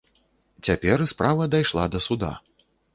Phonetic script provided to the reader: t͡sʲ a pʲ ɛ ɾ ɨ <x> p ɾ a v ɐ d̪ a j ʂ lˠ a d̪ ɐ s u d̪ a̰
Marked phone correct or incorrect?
incorrect